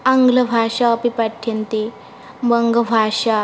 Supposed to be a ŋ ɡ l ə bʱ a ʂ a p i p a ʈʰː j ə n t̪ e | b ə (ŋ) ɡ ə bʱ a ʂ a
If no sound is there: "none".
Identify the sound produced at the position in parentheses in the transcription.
ŋ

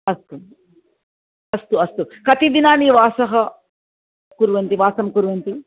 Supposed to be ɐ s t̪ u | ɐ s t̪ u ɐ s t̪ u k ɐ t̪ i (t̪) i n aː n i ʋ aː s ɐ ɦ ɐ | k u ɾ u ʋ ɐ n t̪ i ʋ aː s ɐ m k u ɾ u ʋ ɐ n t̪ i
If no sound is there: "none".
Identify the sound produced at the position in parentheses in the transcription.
d̪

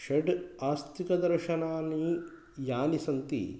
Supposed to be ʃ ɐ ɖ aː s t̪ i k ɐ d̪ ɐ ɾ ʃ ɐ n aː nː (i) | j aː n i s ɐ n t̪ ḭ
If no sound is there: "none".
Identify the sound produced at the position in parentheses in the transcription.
i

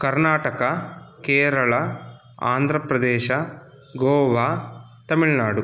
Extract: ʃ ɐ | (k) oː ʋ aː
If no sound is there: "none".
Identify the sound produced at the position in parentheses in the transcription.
ɡ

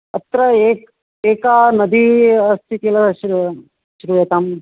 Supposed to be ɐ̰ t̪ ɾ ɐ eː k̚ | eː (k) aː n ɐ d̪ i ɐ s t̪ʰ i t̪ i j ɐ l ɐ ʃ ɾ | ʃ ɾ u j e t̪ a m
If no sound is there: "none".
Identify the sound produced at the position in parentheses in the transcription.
k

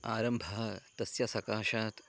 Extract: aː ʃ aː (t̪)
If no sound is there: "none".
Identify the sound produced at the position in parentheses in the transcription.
t̪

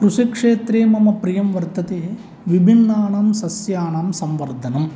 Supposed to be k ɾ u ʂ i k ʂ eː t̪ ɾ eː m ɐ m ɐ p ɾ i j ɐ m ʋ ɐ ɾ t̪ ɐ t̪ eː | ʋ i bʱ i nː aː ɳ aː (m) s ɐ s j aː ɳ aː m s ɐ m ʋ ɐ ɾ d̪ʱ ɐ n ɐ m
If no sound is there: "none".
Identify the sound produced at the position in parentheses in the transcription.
m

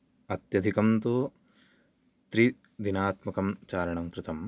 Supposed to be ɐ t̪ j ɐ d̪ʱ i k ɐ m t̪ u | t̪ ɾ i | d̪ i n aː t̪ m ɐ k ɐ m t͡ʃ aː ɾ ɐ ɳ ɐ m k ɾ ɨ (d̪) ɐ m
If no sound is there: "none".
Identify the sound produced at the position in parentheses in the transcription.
t̪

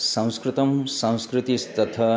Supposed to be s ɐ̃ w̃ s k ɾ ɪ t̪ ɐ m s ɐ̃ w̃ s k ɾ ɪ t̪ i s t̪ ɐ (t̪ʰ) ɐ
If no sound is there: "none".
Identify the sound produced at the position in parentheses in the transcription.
t̪ʰ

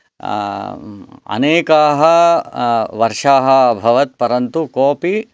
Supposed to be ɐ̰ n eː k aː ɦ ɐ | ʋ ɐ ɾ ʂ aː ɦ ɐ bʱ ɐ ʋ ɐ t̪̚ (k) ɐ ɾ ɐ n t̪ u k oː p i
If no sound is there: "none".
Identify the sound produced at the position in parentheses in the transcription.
p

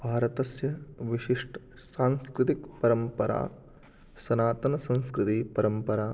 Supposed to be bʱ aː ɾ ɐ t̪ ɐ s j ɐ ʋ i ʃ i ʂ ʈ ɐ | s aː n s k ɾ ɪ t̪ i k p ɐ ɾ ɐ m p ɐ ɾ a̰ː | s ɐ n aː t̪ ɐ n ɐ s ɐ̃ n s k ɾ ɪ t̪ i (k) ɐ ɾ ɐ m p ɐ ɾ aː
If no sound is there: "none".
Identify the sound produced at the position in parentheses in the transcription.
p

